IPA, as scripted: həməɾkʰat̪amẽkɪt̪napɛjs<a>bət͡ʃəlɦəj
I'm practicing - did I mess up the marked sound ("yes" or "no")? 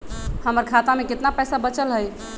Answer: no